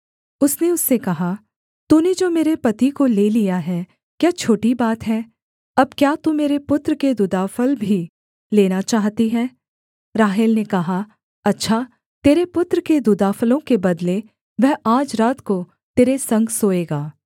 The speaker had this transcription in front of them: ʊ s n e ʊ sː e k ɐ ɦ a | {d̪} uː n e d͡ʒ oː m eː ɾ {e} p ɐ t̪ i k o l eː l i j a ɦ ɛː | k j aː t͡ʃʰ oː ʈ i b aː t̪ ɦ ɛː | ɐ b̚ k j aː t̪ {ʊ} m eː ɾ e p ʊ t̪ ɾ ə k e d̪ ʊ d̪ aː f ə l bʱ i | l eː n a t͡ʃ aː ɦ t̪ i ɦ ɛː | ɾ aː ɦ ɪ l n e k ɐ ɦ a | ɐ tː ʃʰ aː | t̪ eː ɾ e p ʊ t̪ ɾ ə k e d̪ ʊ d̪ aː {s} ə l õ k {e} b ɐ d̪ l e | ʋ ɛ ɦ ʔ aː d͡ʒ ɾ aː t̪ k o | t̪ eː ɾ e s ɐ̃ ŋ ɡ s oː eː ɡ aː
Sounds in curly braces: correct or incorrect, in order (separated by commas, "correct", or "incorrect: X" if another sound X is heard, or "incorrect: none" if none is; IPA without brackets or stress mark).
incorrect: t̪, correct, incorrect: u, incorrect: f, correct